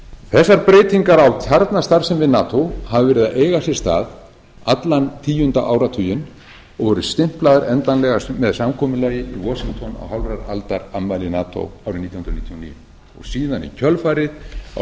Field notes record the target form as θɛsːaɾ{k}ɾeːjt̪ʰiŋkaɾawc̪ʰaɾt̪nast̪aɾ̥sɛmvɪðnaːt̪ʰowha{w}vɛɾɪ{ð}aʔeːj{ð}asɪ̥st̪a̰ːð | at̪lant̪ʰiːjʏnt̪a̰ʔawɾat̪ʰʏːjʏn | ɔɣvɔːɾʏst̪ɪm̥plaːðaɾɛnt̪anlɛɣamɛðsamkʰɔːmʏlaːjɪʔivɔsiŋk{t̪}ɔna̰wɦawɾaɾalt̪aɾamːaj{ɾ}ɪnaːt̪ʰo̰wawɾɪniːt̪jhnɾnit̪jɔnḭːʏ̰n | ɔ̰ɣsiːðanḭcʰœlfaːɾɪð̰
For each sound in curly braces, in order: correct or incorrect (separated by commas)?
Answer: incorrect, incorrect, correct, incorrect, incorrect, incorrect